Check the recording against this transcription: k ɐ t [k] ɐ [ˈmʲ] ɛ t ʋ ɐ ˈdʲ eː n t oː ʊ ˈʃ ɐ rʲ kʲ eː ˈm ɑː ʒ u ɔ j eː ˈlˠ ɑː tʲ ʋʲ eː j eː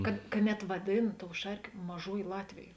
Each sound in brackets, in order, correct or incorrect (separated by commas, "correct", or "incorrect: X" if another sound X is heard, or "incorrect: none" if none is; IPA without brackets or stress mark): correct, incorrect: nʲ